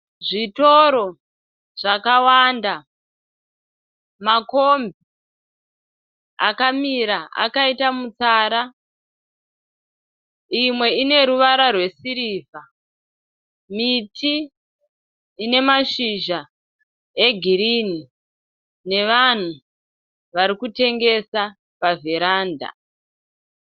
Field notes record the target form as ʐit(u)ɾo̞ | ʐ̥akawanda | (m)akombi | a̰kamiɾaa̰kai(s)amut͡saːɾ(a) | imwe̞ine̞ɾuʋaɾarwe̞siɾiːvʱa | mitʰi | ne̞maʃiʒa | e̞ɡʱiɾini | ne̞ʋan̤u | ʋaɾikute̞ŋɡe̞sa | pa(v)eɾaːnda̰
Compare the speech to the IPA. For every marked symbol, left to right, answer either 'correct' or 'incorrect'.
incorrect: o, correct, incorrect: t, correct, correct

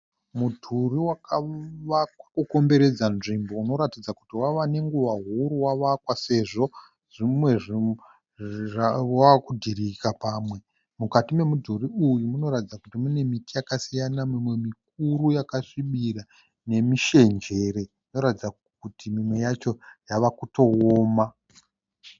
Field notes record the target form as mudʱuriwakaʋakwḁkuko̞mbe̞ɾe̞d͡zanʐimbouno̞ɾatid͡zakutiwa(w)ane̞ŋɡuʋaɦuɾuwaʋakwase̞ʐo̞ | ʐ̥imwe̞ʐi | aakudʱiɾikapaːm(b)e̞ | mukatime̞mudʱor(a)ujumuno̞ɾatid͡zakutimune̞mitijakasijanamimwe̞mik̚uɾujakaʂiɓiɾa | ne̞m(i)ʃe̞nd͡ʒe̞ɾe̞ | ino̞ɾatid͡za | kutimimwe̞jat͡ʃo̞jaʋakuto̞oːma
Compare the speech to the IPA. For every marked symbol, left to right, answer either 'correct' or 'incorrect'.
incorrect: ʋ, incorrect: w, incorrect: i, correct

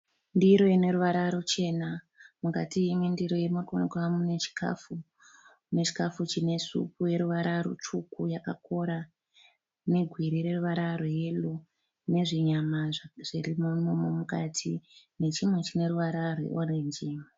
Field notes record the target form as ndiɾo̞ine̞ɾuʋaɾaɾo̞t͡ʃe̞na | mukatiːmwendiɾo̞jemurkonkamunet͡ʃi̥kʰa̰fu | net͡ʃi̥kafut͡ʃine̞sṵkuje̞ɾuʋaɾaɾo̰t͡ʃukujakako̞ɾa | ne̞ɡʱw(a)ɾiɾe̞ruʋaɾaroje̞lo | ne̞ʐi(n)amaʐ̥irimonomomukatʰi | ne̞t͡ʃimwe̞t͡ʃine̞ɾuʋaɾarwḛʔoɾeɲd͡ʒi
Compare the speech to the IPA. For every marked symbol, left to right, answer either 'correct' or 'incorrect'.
incorrect: i, incorrect: ɲ

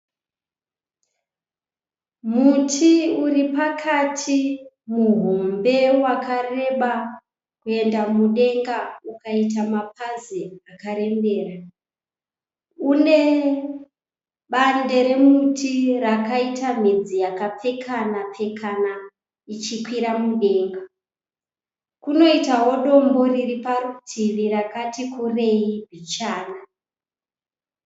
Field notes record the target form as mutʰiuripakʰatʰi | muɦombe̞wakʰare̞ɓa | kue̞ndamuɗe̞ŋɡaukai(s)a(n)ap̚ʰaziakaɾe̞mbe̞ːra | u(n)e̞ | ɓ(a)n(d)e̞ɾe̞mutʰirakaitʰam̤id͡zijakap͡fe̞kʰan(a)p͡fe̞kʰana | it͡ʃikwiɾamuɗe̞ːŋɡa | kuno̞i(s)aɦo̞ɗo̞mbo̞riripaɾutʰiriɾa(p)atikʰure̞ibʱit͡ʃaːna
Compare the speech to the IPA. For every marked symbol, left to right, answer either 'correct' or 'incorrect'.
incorrect: t, incorrect: m, correct, correct, correct, correct, incorrect: t, incorrect: k

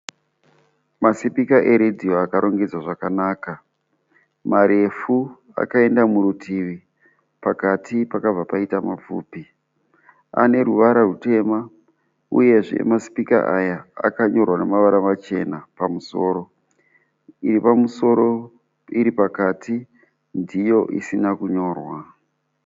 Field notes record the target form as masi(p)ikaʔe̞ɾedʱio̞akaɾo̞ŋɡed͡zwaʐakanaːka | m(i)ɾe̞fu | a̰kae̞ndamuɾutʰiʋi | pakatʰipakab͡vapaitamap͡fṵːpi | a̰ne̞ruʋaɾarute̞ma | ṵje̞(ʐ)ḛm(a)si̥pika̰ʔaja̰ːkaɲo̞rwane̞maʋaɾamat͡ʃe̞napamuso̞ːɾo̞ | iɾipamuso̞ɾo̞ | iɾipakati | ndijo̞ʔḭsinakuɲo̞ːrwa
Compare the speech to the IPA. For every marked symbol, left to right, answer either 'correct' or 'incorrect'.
correct, incorrect: a, correct, correct

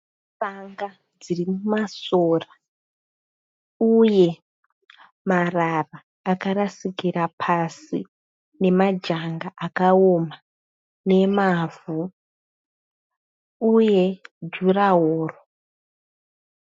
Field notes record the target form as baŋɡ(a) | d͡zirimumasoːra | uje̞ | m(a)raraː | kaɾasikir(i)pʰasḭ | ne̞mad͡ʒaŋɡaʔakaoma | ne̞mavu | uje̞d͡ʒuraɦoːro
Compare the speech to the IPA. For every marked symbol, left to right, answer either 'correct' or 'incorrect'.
correct, correct, incorrect: a

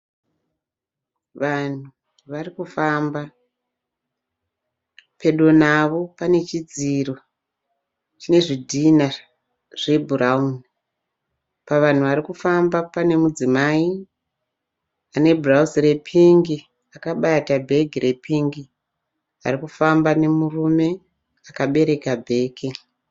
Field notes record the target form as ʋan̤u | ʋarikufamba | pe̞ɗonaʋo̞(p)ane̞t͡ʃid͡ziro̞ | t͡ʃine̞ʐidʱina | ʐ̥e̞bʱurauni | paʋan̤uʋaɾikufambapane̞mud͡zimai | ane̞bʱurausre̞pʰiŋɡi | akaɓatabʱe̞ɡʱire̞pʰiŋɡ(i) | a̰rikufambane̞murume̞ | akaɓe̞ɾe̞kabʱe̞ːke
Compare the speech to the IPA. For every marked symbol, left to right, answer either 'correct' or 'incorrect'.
correct, correct

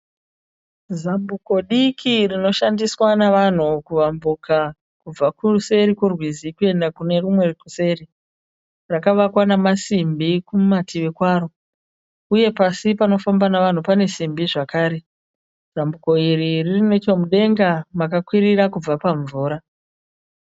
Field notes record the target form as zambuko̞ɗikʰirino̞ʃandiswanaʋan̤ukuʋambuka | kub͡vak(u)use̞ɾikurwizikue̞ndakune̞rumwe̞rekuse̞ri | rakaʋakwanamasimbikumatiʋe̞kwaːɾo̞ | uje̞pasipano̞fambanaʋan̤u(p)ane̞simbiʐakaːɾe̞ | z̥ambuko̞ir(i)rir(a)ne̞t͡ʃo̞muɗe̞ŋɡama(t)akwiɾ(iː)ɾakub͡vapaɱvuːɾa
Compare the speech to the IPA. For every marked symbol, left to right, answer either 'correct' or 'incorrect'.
correct, correct, correct, incorrect: i, incorrect: k, incorrect: i

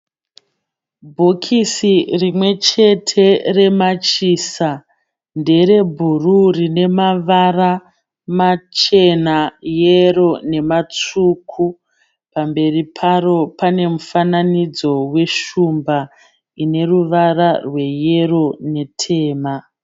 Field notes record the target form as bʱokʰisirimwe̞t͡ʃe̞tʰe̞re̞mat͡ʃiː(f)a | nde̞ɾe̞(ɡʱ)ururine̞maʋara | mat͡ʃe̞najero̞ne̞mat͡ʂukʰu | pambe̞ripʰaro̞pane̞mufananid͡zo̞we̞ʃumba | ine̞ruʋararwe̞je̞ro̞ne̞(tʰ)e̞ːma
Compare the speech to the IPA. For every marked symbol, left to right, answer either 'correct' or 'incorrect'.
incorrect: s, incorrect: bʱ, correct

